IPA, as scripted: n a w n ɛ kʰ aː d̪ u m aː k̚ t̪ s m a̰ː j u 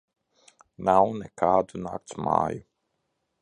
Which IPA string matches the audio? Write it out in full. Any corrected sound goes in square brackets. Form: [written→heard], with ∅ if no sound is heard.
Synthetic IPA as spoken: n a w n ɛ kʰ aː d̪ u [m→n] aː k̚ t̪ s m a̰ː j u